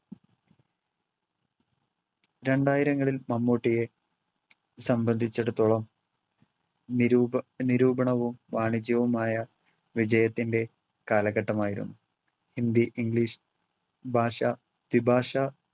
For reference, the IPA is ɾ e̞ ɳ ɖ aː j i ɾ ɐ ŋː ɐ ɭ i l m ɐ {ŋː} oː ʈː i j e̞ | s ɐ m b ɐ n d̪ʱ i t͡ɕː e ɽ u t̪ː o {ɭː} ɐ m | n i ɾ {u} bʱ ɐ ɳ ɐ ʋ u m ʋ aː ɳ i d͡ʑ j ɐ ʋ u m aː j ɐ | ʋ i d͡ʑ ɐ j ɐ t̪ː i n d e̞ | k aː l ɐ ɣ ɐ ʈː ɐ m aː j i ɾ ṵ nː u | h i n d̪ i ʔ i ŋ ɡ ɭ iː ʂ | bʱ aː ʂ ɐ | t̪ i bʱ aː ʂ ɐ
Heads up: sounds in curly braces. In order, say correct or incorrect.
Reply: incorrect, incorrect, incorrect

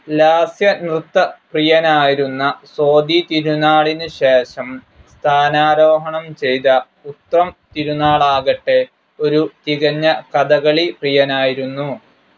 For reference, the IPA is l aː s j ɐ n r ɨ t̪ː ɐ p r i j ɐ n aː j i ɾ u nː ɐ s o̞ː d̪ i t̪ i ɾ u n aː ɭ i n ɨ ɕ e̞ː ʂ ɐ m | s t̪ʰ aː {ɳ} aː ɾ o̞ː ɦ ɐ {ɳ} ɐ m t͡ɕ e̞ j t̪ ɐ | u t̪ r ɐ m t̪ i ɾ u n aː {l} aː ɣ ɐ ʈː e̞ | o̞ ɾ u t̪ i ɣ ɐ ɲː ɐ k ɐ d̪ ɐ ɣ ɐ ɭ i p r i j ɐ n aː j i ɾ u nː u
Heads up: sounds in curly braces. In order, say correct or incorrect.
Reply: incorrect, correct, incorrect

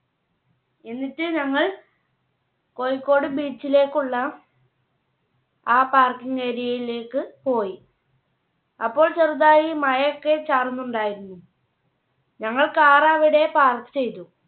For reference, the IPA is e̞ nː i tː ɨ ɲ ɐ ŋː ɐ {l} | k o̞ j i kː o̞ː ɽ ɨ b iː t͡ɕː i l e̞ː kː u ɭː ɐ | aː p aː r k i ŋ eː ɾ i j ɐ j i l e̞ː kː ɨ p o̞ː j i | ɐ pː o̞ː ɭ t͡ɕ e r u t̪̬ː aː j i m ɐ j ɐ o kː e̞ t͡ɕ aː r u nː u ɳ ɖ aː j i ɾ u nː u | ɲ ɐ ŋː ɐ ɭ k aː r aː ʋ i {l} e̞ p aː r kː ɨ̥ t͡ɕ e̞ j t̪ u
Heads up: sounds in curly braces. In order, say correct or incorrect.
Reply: incorrect, incorrect

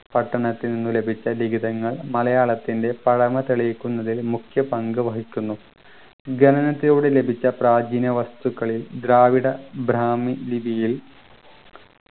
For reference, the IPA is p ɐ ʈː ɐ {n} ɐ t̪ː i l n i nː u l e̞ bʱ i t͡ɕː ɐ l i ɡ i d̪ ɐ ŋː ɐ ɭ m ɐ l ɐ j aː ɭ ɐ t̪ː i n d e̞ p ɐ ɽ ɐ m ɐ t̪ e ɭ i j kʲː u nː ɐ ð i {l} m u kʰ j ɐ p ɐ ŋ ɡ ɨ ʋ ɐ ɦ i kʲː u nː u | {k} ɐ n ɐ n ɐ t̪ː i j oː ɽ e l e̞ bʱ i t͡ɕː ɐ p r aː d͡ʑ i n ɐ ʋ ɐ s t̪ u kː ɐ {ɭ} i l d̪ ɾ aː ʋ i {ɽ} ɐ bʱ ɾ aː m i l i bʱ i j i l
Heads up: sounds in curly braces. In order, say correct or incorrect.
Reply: incorrect, correct, incorrect, correct, correct

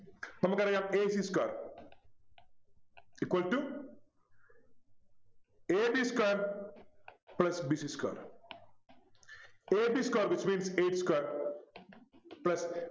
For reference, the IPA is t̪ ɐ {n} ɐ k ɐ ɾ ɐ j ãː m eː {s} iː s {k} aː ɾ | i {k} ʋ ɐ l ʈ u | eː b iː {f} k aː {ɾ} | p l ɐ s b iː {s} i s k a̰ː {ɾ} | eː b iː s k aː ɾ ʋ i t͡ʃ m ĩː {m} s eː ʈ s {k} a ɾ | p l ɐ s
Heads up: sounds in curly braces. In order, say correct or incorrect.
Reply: incorrect, correct, correct, correct, incorrect, correct, correct, correct, incorrect, correct

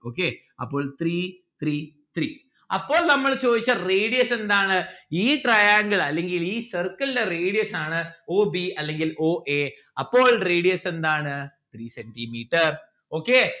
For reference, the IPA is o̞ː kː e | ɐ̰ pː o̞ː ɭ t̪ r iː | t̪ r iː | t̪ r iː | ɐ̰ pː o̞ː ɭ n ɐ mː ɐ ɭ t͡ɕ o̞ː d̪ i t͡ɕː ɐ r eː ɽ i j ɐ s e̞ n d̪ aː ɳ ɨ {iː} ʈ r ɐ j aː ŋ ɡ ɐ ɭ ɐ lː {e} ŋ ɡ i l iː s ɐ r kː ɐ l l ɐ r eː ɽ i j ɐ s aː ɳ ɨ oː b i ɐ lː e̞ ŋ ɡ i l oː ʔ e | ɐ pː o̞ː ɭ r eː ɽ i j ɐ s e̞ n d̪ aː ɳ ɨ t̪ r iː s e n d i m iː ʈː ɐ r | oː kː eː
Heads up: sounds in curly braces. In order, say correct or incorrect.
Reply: correct, correct

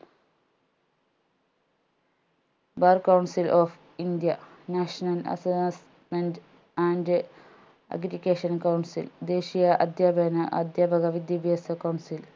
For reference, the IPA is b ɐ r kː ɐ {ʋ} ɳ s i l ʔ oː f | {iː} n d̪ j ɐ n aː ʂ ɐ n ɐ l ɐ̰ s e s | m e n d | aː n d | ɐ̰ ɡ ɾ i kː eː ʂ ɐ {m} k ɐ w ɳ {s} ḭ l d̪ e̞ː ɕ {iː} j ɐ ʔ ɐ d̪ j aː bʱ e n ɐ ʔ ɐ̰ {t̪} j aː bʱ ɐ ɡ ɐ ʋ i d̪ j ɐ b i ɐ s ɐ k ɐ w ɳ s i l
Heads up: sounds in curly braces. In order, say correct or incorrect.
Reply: incorrect, incorrect, incorrect, correct, incorrect, incorrect

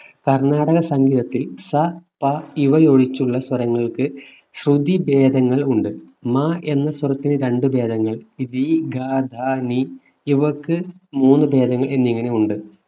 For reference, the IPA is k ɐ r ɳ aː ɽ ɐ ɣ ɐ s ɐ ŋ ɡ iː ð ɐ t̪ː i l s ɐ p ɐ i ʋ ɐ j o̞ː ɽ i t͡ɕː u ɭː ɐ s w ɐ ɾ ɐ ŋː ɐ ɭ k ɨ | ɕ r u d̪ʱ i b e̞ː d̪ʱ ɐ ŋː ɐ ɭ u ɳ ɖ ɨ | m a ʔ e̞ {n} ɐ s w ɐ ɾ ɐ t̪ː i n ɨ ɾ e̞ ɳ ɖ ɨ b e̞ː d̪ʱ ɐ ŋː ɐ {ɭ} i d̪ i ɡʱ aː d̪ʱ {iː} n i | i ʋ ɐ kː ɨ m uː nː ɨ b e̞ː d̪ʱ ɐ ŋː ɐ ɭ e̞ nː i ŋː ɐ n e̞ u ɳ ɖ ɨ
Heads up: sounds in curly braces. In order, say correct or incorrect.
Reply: incorrect, correct, incorrect

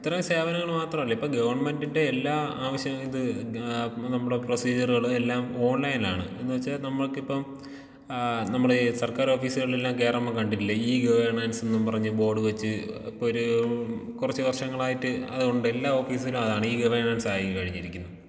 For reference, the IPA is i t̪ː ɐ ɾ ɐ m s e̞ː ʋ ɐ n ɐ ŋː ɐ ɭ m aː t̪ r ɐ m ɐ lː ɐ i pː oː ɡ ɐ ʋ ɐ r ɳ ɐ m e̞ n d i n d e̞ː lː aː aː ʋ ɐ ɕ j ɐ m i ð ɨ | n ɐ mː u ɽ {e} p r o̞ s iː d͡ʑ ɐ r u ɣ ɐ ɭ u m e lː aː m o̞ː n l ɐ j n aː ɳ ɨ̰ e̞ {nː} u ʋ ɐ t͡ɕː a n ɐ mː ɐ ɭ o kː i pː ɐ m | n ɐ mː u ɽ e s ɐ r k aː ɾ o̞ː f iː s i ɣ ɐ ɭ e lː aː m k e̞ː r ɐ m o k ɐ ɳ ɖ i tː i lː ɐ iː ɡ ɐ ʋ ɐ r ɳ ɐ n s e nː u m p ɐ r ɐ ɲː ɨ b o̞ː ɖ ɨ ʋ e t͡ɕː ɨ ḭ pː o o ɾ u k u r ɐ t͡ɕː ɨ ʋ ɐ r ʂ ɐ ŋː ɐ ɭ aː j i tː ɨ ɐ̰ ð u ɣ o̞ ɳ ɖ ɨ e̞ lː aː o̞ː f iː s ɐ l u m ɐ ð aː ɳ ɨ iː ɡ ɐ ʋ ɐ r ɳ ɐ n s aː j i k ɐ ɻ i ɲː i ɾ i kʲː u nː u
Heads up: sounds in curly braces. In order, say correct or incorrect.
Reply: correct, correct

